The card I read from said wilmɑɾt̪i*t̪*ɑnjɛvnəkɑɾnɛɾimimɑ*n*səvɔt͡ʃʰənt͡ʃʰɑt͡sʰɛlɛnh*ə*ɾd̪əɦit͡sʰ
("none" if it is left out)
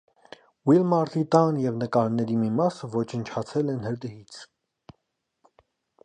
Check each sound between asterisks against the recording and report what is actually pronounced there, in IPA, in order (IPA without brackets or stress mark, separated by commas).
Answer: t̪, none, ə